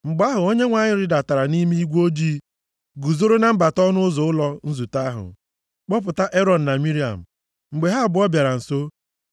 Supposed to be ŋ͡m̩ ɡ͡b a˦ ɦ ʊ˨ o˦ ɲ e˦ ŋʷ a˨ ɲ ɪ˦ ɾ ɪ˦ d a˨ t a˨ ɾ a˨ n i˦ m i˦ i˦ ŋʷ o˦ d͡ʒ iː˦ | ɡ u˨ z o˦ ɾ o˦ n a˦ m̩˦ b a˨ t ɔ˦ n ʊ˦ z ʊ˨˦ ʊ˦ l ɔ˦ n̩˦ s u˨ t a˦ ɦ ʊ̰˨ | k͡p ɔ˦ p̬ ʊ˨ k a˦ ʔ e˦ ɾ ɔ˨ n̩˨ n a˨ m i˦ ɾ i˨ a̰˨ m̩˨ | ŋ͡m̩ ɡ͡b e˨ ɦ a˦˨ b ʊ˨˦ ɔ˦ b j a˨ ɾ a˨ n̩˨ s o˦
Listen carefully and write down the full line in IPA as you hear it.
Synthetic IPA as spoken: ŋ͡m̩ ɡ͡b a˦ ɦ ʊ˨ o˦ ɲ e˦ ŋʷ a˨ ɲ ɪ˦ ɾ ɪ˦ d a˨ t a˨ ɾ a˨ n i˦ m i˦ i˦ ɡʷ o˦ d͡ʒ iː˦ | ɡ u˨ z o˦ ɾ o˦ n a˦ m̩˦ b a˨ t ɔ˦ n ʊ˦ z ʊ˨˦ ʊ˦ l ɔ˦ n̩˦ z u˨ t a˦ ɦ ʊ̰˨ | k͡p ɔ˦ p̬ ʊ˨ t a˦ ʔ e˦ ɾ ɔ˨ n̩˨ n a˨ m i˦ ɾ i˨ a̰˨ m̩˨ | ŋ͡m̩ ɡ͡b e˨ ɦ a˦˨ b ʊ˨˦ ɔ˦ b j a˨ ɾ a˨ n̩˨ s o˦